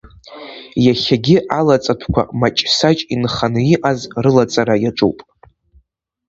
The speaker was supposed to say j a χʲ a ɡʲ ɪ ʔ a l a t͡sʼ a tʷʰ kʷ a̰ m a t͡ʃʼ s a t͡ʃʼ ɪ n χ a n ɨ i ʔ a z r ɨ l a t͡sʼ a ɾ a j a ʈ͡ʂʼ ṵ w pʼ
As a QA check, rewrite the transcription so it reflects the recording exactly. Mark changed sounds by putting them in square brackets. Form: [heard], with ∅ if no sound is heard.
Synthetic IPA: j a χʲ a ɡʲ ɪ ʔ a l a t͡sʼ a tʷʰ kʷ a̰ m a t͡ʃʼ s a t͡ʃʼ [i] n χ a n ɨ i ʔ a z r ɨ l a t͡sʼ a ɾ a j a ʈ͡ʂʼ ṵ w pʼ